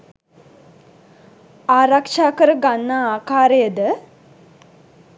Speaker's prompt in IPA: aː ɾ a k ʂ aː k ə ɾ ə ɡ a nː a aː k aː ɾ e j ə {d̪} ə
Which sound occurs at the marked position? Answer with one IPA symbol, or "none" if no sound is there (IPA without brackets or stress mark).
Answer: d̪